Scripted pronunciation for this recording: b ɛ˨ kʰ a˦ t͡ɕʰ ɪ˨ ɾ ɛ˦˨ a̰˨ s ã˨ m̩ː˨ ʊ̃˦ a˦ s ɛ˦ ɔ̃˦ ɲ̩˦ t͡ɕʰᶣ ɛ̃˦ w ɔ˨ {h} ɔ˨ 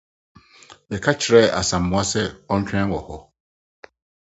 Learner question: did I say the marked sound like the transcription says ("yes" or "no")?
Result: yes